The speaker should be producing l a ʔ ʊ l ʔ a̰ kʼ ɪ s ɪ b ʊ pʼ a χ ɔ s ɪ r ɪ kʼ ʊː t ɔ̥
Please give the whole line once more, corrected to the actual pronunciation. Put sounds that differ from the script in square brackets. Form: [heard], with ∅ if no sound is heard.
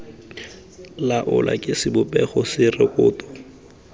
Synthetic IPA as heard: l a ʔ ʊ l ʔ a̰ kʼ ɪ s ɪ b ʊ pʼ [ɛ] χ ɔ s ɪ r ɪ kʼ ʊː t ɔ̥